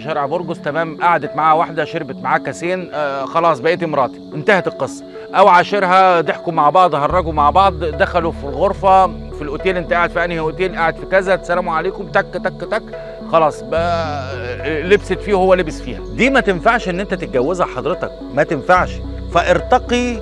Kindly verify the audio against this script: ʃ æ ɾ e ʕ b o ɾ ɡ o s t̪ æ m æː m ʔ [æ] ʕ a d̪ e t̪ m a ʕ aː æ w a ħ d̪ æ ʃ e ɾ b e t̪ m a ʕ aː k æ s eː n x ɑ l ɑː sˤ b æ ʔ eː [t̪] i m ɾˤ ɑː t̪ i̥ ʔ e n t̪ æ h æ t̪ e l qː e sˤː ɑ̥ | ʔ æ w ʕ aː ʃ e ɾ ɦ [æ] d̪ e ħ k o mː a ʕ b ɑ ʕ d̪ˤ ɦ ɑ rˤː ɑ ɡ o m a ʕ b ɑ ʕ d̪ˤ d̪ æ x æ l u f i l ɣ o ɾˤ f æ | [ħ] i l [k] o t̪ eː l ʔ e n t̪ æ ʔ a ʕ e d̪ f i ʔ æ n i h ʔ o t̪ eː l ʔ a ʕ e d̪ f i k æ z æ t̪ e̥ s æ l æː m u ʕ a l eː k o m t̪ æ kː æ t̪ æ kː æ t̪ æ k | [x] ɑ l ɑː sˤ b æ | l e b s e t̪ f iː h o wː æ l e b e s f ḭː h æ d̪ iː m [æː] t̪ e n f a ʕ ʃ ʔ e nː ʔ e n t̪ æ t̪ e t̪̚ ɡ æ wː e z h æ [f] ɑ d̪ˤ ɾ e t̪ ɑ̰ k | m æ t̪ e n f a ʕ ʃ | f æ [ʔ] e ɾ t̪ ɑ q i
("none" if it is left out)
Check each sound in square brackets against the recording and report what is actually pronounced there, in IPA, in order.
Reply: a, t̪, æ, f, ʔ, x, æ, ħ, ʔ

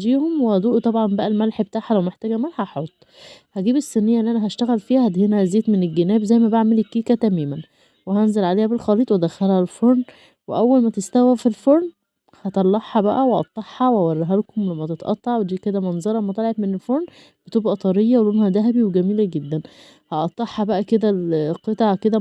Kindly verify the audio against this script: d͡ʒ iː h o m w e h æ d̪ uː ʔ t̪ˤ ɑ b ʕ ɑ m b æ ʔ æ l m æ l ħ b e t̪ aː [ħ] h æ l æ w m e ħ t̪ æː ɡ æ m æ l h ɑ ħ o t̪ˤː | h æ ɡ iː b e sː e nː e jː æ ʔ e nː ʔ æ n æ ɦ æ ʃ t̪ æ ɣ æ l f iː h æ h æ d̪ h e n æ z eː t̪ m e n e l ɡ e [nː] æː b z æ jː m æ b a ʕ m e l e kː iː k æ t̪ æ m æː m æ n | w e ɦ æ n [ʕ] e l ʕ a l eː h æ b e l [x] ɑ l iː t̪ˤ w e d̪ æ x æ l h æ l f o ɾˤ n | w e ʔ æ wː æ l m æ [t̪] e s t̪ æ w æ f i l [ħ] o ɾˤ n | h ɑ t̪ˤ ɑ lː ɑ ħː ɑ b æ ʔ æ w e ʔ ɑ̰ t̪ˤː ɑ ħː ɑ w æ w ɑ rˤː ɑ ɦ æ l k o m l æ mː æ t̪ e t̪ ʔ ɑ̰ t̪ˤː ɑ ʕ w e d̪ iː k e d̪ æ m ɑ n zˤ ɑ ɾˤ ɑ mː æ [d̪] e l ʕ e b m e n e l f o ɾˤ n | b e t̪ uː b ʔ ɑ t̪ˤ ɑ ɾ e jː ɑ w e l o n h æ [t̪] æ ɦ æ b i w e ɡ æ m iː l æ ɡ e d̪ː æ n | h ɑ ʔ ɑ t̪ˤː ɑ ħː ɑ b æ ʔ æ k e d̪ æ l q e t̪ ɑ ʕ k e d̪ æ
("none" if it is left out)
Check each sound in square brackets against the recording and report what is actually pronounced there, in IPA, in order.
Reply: ħ, n, z, x, t̪, f, t̪, d̪

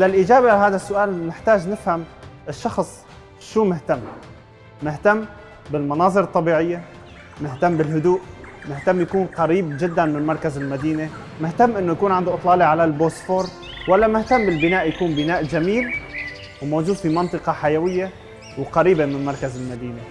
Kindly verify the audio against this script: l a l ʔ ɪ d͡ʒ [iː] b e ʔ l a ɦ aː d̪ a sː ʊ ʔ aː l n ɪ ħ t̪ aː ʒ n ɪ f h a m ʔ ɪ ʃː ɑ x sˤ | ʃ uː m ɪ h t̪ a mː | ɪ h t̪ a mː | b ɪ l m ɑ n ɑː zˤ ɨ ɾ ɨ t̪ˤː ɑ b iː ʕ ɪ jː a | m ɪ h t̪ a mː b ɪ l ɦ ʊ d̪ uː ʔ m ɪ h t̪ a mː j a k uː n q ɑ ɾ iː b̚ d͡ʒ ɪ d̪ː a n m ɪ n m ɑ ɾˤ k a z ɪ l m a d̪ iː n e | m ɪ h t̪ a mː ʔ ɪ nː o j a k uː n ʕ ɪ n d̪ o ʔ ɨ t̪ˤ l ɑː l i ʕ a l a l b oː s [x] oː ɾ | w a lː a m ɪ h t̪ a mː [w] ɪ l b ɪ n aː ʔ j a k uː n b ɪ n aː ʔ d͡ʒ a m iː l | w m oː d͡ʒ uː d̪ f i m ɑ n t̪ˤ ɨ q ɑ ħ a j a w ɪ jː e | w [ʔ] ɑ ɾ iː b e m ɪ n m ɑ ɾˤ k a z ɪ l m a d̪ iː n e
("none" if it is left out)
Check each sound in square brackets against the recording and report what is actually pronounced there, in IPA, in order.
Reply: aː, f, b, q

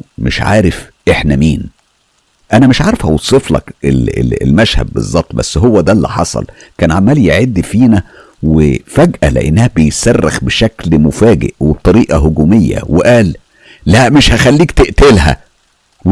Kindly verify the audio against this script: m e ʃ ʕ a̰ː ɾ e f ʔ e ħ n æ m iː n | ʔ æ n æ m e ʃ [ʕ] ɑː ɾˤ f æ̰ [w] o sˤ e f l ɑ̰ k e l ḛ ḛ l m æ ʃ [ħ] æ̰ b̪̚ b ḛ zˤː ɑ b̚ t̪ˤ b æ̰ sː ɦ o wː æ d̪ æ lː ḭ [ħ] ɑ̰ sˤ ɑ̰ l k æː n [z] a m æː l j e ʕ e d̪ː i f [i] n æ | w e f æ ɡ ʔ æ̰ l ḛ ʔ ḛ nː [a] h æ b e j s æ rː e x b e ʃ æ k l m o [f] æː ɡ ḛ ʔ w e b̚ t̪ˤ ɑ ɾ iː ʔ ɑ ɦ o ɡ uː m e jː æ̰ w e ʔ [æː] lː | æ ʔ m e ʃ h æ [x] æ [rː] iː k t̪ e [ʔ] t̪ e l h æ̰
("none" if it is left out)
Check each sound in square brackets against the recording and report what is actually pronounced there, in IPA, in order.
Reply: ʕ, w, h, ħ, ʕ, iː, æ, f, æː, x, lː, ʔ

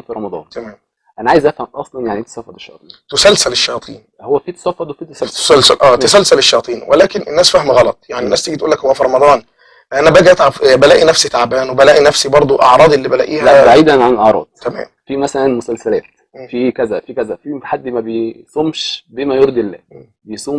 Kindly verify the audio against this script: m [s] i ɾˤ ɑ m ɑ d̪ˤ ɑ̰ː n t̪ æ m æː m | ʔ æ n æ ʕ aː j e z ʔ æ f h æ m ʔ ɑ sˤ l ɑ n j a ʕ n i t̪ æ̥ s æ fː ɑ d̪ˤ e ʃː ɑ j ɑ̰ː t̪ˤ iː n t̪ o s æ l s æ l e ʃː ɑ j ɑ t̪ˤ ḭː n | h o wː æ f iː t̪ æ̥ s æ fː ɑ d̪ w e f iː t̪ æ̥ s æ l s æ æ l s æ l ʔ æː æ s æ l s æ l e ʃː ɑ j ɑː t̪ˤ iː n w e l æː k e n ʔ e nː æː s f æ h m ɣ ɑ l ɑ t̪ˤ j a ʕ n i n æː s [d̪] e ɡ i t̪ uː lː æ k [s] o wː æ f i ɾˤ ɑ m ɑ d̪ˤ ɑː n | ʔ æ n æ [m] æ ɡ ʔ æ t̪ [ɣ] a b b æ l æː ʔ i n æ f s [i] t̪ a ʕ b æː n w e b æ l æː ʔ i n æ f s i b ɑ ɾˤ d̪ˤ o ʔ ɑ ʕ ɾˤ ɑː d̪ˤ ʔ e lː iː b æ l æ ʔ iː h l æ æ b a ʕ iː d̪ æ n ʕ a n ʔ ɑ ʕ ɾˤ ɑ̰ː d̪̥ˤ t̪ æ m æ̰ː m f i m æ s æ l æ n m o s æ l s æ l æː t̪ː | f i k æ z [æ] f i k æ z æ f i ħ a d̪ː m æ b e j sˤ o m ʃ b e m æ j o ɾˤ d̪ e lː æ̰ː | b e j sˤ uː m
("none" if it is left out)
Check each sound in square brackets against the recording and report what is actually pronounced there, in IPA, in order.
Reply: f, t̪, h, b, ʕ, i, æ

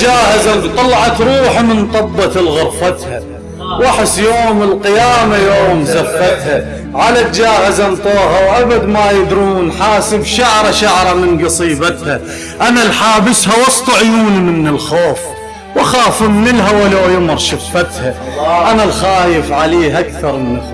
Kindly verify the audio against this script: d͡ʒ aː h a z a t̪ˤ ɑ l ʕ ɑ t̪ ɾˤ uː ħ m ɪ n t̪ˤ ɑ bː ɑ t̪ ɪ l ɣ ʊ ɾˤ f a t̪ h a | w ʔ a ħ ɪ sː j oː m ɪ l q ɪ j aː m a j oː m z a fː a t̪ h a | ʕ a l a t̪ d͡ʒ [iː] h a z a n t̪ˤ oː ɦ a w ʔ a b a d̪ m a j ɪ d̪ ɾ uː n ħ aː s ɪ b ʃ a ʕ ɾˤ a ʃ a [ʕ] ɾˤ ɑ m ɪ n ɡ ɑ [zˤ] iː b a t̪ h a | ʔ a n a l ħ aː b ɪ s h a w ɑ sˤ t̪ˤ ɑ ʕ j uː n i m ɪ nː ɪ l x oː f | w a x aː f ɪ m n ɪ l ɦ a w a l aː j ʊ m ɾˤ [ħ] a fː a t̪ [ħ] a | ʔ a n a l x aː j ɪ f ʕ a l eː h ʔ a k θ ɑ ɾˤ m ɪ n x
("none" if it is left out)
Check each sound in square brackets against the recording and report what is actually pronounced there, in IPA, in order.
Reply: aː, ʕ, sˤ, ʃ, h

